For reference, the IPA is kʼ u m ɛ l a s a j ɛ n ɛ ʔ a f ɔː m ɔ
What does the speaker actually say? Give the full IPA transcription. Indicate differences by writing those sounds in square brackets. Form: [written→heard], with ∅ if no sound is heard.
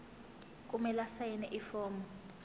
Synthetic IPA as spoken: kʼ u m ɛ l a s a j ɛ n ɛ ʔ [a→i] f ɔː m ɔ

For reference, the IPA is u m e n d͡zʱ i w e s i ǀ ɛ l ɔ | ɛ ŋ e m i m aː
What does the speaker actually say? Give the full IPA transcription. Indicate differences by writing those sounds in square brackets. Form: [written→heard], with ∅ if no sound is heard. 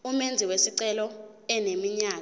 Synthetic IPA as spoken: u m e n d͡zʱ i w e s i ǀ ɛ l ɔ | ɛ [ŋ→n] e m i [m→ɲ] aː

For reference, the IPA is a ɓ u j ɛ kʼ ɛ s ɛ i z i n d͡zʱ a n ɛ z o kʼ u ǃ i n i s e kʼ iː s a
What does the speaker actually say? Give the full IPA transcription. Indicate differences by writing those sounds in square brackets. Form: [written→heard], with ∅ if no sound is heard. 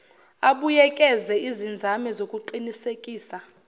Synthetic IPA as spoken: a ɓ u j ɛ kʼ ɛ [s→z] ɛ i z i n d͡zʱ a [n→m] ɛ z o kʼ u ǃ i n i s e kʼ iː s a

